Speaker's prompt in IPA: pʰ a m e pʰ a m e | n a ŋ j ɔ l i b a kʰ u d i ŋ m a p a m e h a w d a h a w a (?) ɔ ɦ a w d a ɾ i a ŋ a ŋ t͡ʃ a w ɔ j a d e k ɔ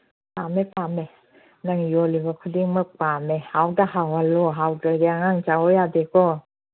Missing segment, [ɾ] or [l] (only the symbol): l